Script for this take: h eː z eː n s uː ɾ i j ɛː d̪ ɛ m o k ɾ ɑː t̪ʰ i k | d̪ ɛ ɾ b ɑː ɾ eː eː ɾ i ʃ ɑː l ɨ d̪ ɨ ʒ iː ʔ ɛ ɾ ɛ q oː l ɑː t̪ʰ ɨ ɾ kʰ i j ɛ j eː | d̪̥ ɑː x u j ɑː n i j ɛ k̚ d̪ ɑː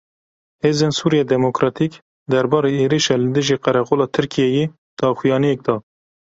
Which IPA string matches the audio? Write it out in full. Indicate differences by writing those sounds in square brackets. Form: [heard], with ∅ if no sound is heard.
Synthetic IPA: h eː z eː n s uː ɾ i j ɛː d̪ ɛ m o k ɾ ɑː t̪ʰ i k | d̪ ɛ ɾ b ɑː ɾ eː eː ɾ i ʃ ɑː l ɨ d̪ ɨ ʒ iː [q] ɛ ɾ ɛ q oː l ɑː t̪ʰ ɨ ɾ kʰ i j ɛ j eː | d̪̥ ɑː x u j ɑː n i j ɛ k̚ d̪ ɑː